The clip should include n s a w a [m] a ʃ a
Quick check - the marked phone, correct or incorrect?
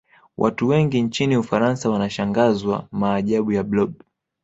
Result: incorrect